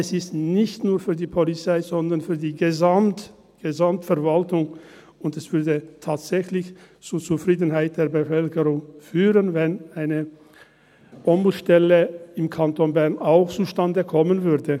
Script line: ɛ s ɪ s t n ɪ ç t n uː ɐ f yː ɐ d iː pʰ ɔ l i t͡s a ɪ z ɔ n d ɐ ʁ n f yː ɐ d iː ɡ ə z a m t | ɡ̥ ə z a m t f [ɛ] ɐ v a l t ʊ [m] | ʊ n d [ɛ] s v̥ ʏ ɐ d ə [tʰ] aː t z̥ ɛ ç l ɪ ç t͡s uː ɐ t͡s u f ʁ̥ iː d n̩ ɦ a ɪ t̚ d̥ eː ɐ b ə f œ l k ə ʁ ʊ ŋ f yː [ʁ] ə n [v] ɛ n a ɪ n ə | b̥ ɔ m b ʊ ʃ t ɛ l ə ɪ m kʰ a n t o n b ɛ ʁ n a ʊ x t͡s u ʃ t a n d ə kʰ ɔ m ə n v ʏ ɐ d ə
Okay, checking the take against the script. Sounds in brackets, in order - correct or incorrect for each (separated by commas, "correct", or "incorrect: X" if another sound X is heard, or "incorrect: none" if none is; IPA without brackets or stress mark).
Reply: correct, incorrect: ŋ, correct, correct, correct, correct